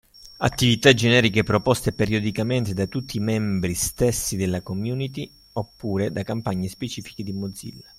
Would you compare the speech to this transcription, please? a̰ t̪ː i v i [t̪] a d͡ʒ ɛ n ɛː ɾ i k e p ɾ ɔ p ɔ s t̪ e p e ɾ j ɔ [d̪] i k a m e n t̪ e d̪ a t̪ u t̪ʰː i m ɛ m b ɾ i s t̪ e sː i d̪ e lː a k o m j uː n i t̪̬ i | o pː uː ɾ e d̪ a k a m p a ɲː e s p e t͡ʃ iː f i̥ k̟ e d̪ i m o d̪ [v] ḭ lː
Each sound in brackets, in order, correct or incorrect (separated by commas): correct, correct, incorrect